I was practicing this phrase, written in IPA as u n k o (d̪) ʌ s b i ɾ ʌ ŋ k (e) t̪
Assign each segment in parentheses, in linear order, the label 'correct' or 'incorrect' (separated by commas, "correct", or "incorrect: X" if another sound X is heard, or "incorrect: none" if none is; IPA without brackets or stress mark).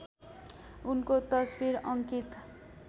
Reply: incorrect: t̪, incorrect: i